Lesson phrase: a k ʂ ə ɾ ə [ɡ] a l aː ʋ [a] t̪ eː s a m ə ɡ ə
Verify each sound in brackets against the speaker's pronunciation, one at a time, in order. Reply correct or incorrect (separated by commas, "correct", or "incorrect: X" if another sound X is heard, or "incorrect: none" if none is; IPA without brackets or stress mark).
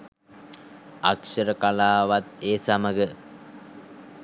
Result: incorrect: k, correct